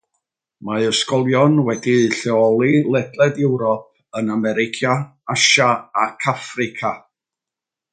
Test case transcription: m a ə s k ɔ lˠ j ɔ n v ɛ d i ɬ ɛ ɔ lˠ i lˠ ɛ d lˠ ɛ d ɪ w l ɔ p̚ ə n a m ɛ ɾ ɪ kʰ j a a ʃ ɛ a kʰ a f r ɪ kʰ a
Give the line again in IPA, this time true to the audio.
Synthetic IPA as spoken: m a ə s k ɔ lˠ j ɔ n w ɛ d i ɬ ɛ ɔ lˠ i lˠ ɛ d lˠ ɛ d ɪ w ɾ ɔ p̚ ə n a m ɛ ɾ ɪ kʰ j a a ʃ a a kʰ a f r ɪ kʰ a